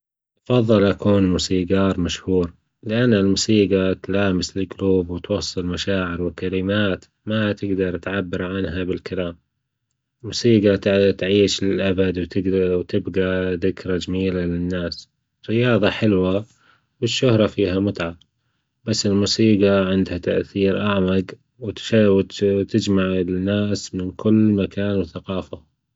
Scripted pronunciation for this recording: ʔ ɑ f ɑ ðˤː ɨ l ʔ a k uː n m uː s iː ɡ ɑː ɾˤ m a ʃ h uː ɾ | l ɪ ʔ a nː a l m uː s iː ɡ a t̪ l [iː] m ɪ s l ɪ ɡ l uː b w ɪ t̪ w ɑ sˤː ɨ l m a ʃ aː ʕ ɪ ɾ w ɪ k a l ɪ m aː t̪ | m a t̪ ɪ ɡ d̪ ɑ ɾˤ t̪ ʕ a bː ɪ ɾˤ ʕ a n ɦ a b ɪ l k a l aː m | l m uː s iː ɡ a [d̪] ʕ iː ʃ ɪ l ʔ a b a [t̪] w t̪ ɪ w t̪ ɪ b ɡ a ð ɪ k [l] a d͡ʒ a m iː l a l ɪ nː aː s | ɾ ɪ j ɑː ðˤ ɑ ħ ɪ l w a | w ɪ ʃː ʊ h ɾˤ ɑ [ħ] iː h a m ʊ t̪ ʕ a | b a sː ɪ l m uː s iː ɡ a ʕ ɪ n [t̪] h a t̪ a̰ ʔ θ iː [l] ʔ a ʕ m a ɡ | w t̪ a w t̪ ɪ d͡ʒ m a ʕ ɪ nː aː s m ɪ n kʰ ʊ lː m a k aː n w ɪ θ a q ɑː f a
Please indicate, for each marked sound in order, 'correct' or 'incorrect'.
incorrect: aː, incorrect: t̪, incorrect: d̪, incorrect: ɾ, incorrect: f, incorrect: d̪, incorrect: ɾ

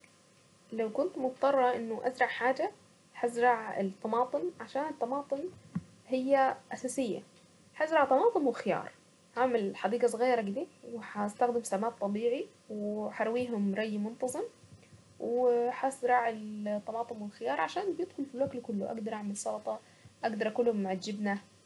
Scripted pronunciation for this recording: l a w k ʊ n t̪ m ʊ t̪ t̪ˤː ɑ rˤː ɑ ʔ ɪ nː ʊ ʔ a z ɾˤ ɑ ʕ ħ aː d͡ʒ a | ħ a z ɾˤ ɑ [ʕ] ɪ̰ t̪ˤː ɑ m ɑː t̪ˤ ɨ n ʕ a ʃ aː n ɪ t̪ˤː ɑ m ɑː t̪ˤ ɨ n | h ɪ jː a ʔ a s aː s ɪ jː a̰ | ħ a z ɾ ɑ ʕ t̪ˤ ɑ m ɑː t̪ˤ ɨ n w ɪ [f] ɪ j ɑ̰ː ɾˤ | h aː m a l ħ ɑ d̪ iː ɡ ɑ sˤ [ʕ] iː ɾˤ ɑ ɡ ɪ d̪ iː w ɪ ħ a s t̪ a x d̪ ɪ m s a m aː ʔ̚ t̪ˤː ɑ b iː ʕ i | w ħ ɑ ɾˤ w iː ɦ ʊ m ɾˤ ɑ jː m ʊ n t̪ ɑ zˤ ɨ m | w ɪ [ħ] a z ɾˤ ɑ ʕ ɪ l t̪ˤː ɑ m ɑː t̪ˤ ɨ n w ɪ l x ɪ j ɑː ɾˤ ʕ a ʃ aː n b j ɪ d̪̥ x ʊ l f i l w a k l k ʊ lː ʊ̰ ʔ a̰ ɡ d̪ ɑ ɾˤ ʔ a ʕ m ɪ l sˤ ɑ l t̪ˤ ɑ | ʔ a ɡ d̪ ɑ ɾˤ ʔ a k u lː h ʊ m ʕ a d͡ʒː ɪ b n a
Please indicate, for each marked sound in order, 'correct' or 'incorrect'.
correct, incorrect: x, incorrect: ɣ, correct

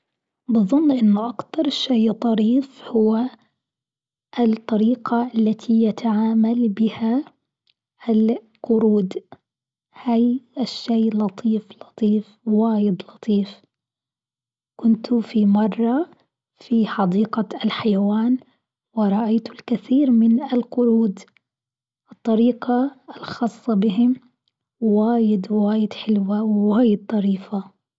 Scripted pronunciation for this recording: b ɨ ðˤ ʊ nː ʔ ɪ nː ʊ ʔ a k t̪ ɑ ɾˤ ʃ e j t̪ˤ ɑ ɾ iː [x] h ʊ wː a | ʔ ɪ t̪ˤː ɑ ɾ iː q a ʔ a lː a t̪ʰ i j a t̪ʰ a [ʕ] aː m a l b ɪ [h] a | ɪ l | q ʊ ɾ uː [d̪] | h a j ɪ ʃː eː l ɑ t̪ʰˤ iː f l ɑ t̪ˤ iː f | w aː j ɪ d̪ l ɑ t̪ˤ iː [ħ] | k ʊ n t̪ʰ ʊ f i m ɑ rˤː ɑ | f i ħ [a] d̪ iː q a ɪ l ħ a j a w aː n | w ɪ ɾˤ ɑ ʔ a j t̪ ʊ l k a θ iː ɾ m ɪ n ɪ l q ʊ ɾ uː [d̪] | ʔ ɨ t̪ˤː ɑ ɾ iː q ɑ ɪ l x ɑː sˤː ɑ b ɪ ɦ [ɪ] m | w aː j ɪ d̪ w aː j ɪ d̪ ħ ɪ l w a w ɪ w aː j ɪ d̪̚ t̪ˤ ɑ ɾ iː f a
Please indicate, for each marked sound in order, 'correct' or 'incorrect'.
incorrect: f, correct, correct, correct, incorrect: f, incorrect: ɑ, correct, correct

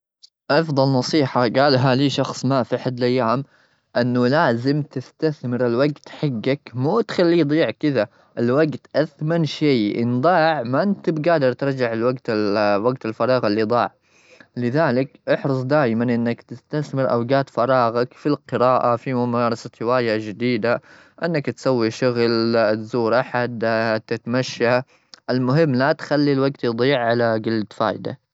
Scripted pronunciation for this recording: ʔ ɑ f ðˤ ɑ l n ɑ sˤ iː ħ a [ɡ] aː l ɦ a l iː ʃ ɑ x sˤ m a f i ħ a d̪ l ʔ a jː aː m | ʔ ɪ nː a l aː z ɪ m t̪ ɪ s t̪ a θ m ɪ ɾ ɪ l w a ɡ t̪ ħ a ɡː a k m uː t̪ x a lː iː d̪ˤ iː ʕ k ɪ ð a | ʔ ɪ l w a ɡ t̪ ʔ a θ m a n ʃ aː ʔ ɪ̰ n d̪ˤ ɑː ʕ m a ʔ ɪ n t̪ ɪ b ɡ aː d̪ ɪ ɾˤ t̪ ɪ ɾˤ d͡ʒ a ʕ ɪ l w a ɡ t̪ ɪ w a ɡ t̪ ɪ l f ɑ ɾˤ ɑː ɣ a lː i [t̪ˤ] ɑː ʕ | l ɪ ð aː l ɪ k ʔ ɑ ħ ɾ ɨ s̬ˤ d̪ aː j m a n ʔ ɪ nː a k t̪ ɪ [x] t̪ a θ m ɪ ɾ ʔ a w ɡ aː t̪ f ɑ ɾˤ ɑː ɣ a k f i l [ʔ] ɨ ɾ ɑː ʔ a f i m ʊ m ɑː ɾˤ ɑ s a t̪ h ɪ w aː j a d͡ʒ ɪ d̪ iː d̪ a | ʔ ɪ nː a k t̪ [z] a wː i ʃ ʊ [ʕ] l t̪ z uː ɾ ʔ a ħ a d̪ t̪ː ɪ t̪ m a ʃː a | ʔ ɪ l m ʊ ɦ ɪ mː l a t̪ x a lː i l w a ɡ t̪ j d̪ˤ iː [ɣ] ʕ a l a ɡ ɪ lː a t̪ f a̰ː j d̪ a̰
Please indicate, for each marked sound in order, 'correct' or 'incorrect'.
correct, incorrect: d̪ˤ, incorrect: s, incorrect: q, incorrect: s, incorrect: ɣ, incorrect: ʕ

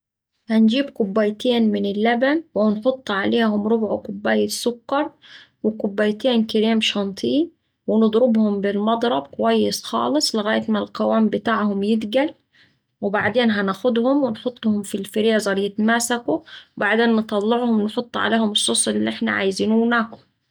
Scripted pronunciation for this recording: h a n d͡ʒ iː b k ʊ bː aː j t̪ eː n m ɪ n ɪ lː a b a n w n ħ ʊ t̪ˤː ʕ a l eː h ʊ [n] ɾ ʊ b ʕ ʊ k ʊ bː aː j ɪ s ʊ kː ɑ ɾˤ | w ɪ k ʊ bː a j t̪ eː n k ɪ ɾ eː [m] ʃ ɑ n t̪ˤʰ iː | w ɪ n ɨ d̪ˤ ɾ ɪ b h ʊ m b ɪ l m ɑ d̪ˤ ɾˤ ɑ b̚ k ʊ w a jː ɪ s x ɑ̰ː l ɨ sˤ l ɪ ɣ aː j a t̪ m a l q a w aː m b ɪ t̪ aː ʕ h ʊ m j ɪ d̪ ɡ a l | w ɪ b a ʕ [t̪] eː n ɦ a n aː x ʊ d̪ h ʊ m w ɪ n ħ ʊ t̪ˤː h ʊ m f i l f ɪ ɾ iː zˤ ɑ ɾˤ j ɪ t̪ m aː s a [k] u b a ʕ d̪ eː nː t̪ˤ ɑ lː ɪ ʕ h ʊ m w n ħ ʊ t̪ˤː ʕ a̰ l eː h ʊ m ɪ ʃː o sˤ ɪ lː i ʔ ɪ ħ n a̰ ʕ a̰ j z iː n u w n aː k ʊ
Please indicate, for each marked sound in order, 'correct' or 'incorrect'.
incorrect: m, correct, incorrect: d̪, correct

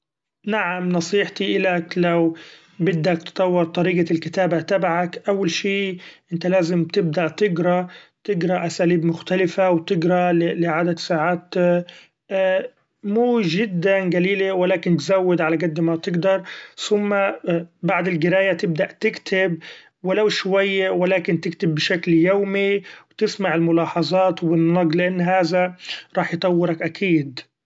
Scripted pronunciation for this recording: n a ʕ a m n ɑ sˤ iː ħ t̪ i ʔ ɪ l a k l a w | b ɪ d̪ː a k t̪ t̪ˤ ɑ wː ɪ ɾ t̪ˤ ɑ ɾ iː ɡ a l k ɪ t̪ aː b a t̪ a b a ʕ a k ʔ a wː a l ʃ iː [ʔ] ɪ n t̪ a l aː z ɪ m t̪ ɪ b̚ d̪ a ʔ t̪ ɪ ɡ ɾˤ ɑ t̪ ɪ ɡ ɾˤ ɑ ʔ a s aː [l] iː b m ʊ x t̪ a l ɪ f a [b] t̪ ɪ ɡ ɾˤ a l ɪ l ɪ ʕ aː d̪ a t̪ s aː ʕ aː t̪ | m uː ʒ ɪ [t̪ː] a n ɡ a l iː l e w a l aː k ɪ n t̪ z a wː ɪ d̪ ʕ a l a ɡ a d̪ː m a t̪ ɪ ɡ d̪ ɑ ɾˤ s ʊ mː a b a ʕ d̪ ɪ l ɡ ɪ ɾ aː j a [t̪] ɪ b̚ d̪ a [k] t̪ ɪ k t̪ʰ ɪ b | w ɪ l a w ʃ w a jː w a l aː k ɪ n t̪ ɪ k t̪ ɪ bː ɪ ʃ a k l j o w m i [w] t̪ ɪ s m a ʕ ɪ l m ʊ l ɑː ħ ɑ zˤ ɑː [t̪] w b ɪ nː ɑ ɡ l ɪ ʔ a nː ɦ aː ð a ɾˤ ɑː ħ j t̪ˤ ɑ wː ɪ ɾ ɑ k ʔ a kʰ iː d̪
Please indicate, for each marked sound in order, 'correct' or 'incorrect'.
correct, correct, incorrect: w, incorrect: d̪ː, correct, incorrect: ʔ, correct, correct

